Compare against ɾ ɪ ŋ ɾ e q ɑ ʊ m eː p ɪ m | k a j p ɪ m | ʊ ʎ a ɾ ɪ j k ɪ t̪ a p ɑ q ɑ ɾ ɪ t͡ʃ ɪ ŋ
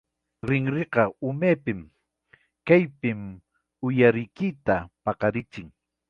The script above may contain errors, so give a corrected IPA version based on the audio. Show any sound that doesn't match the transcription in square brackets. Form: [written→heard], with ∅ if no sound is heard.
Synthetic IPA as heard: ɾ ɪ ŋ ɾ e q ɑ ʊ m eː p ɪ m | k a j p ɪ m | ʊ [ʎ→j] a ɾ ɪ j k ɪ t̪ a p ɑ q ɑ ɾ ɪ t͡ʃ ɪ ŋ